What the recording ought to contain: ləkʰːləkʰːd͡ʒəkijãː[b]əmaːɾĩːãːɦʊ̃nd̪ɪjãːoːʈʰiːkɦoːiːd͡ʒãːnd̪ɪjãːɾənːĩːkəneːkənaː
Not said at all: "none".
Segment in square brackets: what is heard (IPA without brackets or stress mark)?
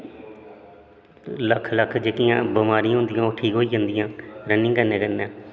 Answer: b